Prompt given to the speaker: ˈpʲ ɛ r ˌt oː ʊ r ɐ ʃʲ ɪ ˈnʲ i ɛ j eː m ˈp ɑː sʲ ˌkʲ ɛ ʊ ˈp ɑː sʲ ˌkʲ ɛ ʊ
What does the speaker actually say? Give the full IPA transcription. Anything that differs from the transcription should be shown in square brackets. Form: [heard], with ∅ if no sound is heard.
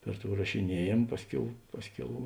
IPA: ˈpʲ ɛ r ˌt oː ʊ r ɐ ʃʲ ɪ ˈnʲ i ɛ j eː m ˈp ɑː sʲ ˌkʲ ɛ ʊ ˈp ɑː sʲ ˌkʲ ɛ ʊ